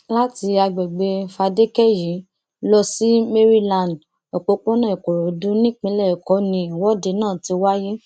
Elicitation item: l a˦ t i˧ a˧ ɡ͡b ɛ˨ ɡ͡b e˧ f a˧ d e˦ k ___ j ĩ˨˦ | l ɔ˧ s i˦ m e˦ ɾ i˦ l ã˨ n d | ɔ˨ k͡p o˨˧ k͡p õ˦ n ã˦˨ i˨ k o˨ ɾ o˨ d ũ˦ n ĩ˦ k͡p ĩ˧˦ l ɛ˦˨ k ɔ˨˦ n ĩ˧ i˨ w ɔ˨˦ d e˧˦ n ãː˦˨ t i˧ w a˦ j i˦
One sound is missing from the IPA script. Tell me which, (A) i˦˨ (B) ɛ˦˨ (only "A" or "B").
B